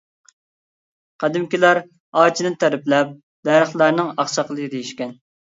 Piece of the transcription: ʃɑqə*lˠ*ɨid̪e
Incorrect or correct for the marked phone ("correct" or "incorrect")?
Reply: correct